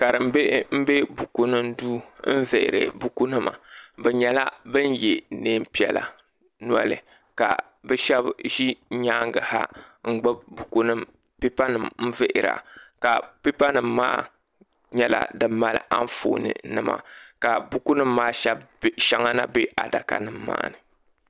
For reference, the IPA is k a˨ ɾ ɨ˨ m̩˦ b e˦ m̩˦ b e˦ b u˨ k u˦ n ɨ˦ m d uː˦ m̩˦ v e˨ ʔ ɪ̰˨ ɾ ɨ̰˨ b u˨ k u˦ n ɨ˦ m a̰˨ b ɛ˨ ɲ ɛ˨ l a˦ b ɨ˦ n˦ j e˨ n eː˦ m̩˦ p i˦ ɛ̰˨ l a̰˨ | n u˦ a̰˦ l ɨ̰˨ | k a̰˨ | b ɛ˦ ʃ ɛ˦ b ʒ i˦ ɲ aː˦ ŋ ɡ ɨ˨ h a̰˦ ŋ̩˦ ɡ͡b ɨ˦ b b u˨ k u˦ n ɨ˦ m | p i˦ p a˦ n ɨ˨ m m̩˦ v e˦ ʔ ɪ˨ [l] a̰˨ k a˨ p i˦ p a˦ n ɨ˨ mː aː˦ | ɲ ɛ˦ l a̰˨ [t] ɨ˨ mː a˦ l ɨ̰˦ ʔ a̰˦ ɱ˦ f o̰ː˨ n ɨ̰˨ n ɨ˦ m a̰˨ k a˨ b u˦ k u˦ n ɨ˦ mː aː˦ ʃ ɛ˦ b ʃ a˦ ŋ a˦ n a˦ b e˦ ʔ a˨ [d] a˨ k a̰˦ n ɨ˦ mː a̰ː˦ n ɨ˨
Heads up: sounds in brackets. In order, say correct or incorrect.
incorrect: ɾ, incorrect: d, correct

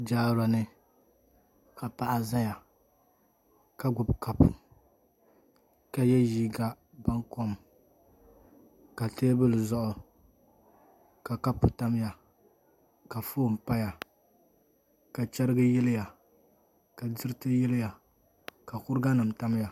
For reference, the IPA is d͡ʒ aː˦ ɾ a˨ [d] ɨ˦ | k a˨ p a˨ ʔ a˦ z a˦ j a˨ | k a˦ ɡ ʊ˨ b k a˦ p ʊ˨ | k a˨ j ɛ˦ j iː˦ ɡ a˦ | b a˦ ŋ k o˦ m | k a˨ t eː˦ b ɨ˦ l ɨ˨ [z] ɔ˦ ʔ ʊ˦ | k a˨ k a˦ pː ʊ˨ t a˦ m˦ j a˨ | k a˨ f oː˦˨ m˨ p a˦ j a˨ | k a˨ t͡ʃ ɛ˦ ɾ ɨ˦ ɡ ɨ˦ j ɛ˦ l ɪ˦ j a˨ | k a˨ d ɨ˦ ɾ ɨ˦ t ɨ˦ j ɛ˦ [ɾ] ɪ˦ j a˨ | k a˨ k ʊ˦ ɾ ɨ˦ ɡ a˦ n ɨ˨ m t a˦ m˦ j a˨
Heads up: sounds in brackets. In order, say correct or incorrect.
incorrect: n, correct, incorrect: l

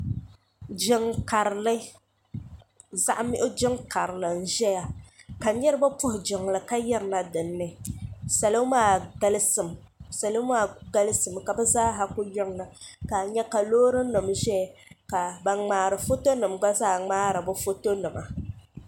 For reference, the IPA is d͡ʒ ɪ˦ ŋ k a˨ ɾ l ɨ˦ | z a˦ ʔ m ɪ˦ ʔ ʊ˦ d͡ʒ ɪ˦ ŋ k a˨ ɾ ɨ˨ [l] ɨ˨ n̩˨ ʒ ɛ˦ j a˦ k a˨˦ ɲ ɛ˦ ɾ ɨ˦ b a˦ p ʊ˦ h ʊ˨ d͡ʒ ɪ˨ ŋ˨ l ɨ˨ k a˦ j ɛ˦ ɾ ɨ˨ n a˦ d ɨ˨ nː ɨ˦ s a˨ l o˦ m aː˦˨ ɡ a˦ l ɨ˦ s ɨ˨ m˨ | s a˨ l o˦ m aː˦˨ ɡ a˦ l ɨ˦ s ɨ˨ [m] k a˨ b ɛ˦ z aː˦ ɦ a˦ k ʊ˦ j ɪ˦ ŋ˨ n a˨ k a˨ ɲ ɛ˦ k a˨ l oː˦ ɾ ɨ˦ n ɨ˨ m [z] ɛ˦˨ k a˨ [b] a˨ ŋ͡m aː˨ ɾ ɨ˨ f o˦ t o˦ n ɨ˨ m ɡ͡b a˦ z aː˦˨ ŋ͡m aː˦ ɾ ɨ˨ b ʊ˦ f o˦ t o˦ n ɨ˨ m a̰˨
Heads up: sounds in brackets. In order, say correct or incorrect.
correct, correct, incorrect: ʒ, correct

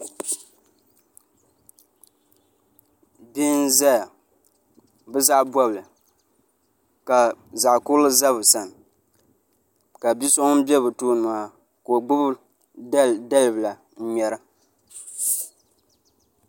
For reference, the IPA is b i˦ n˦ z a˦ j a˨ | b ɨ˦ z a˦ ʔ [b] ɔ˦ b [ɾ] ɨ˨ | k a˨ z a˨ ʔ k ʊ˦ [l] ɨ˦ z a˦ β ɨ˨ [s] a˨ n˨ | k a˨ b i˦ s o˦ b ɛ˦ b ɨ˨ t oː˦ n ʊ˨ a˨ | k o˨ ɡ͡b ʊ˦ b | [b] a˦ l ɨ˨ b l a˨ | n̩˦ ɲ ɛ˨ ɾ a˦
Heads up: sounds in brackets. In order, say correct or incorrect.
correct, incorrect: l, correct, correct, incorrect: d

